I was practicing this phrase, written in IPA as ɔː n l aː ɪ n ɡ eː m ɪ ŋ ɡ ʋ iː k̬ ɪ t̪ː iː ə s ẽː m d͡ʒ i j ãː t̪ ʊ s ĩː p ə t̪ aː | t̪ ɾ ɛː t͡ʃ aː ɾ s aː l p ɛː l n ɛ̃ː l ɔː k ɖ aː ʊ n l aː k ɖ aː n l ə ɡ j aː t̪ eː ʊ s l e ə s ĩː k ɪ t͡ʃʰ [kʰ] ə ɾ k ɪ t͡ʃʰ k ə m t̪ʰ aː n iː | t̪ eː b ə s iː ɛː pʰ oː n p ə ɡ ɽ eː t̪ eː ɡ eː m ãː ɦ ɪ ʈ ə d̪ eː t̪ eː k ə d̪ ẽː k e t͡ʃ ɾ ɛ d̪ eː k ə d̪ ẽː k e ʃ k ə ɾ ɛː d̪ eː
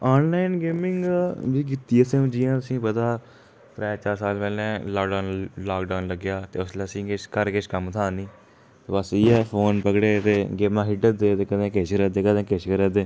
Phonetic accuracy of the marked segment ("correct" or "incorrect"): incorrect